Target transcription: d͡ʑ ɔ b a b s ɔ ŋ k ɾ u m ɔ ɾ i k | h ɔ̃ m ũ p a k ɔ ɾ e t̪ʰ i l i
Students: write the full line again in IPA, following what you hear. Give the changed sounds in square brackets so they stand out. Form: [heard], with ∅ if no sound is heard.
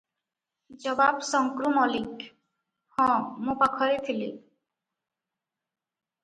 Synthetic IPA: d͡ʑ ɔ b a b s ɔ ŋ k ɾ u m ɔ [l] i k | h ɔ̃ m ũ p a [kʰ] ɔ ɾ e t̪ʰ i l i